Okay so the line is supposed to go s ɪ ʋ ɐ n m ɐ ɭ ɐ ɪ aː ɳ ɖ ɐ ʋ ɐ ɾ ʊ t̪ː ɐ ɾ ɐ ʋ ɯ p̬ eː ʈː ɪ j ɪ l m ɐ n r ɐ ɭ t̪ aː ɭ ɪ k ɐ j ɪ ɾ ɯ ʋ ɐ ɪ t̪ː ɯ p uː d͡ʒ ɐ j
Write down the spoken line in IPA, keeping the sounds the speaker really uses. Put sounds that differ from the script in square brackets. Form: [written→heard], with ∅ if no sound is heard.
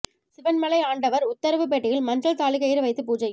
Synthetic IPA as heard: s ɪ ʋ ɐ n m ɐ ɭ ɐ ɪ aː ɳ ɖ ɐ ʋ ɐ ɾ ʊ t̪ː ɐ ɾ ɐ ʋ ɯ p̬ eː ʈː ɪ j ɪ l m ɐ n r ɐ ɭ t̪ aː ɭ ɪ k ɐ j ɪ ɾ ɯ ʋ ɐ ɪ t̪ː ɯ p uː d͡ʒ ɐ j